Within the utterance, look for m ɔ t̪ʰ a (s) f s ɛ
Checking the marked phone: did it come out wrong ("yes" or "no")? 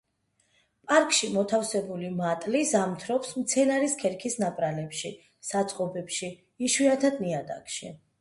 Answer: yes